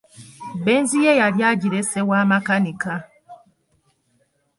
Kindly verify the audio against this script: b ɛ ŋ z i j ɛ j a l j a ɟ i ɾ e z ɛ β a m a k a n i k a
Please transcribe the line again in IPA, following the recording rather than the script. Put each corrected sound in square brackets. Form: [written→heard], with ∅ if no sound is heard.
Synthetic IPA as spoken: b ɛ [ŋ→n] z i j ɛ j a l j a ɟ i ɾ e [z→s] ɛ [β→w] a m a k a n i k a